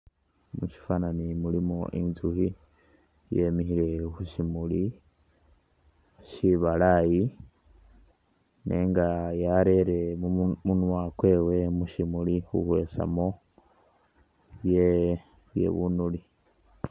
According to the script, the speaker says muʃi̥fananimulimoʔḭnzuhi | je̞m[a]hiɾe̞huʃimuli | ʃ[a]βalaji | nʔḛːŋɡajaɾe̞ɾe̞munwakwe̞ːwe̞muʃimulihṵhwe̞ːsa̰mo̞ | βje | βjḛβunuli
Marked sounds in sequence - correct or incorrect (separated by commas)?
incorrect, incorrect